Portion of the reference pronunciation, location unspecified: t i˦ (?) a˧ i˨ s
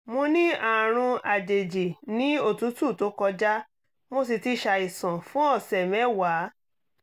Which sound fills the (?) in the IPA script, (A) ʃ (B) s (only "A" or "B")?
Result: A